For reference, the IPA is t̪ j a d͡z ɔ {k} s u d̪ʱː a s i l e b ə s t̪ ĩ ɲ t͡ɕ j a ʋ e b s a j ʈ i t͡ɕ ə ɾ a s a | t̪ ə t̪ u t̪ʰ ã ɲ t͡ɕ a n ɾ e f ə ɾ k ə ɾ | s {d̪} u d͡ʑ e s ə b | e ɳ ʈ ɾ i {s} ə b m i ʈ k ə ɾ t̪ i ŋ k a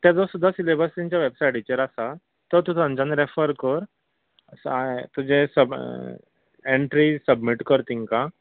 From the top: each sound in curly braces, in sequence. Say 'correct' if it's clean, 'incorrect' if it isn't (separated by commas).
incorrect, incorrect, correct